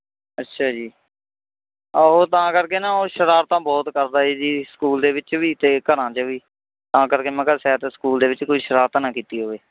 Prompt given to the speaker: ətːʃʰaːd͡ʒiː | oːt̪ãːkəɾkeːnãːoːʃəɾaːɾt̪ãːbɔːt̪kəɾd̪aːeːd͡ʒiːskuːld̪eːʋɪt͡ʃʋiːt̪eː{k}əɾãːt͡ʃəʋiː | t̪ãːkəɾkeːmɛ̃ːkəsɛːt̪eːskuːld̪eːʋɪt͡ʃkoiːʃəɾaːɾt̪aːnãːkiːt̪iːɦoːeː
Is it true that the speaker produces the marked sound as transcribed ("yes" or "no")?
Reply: yes